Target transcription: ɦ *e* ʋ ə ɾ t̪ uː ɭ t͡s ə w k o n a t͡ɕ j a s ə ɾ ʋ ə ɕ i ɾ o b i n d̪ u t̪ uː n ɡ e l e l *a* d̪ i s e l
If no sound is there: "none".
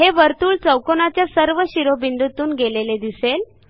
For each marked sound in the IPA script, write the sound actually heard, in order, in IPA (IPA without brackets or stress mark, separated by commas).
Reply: e, e